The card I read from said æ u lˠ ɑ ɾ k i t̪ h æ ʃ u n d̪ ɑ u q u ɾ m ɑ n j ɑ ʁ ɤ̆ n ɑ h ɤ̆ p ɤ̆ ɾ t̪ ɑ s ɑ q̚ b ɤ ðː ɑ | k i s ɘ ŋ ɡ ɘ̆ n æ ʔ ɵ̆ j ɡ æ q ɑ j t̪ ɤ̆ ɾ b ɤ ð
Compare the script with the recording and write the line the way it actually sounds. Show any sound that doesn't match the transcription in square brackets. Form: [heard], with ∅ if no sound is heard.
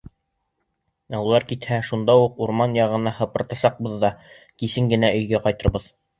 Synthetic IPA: æ u lˠ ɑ ɾ k i t̪ h æ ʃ u n d̪ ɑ u q u ɾ m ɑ n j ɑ ʁ ɤ̆ n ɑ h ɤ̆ p ɤ̆ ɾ t̪ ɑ s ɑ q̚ b ɤ ðː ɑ | k i s ɘ ŋ ɡ ɘ̆ n æ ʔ ɵ̆ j ɡ æ q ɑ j t̪ ɤ̆ ɾ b ɤ ð